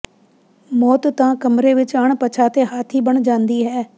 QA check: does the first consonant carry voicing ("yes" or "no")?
yes